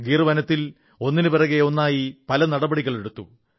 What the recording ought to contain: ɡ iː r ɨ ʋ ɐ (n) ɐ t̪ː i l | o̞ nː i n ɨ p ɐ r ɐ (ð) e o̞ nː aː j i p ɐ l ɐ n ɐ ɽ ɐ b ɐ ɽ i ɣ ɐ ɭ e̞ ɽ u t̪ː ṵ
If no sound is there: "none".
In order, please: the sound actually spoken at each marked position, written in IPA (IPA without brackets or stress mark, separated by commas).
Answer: n, ɣ